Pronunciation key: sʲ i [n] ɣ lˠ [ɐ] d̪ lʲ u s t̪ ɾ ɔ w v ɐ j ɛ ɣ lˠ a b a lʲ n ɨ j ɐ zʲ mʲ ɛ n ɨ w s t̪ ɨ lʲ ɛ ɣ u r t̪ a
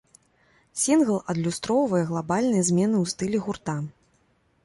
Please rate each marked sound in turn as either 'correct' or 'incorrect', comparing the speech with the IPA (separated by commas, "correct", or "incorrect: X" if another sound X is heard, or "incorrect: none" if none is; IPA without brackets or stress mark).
correct, correct